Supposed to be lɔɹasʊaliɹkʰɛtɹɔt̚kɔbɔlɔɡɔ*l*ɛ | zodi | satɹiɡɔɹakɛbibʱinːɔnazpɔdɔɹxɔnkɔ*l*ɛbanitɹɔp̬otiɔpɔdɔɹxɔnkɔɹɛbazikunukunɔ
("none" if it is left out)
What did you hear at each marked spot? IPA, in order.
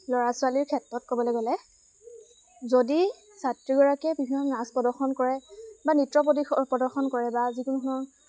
l, ɹ

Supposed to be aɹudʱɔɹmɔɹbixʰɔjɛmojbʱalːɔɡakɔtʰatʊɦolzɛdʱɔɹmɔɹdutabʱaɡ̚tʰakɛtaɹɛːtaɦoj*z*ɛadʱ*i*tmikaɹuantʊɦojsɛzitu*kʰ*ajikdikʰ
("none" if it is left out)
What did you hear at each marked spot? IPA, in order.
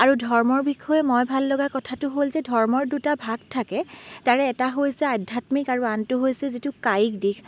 s, a, k

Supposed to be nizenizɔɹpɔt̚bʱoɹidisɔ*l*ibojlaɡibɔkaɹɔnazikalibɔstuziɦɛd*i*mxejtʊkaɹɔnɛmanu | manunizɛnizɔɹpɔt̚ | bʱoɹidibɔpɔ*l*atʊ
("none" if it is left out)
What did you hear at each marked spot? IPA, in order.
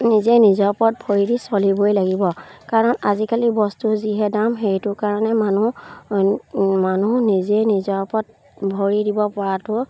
l, a, ɹ

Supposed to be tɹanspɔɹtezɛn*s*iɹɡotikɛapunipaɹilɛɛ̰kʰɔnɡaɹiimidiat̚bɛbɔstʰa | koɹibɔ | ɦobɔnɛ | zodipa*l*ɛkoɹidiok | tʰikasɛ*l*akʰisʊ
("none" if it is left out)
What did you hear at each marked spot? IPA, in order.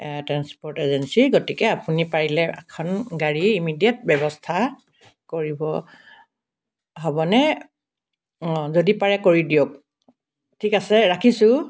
s, ɹ, ɹ

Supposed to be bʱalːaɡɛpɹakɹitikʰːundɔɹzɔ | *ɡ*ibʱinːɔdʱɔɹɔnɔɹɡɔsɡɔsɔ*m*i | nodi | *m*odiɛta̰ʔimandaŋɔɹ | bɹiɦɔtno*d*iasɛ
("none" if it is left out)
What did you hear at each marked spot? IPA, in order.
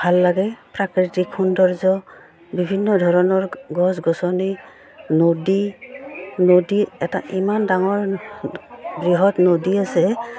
b, n, n, d

